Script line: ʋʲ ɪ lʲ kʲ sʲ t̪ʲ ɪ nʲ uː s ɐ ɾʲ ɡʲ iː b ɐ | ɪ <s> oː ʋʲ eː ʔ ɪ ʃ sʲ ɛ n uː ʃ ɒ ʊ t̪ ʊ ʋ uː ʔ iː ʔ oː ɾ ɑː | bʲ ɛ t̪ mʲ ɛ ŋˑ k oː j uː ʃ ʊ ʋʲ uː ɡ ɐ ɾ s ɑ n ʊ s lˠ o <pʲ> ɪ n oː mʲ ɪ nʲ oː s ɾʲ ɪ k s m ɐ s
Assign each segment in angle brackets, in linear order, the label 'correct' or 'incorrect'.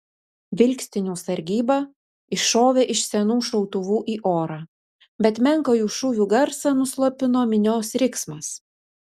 incorrect: ʃ, correct

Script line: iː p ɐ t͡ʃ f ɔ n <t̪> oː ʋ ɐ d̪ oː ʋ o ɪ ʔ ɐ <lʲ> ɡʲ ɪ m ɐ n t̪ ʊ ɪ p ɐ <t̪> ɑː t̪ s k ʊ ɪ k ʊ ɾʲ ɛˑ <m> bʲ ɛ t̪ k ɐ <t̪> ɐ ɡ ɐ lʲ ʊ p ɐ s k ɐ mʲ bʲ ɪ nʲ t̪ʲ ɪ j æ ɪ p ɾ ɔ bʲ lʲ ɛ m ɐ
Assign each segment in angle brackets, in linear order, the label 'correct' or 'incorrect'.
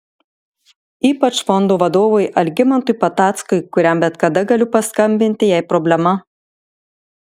incorrect: d̪, correct, correct, correct, incorrect: d̪

